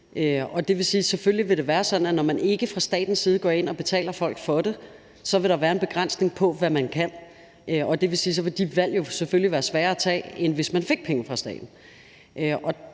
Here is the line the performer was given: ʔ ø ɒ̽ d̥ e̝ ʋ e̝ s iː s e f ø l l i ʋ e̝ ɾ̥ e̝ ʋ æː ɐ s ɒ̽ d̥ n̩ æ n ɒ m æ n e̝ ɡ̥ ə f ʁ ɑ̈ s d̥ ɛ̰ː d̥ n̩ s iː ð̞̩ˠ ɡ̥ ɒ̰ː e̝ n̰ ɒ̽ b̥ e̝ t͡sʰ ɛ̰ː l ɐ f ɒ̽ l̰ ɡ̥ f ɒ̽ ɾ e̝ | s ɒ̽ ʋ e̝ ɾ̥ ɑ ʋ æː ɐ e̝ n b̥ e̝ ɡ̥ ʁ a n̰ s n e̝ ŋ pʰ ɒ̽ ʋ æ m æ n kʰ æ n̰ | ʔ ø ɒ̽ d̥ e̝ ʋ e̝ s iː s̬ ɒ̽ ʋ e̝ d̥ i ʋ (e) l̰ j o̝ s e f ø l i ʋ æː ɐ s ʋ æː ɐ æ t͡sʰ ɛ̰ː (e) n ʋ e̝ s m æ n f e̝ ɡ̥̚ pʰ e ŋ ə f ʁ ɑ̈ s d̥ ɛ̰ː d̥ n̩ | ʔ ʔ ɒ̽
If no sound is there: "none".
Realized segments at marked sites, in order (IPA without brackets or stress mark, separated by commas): æ, e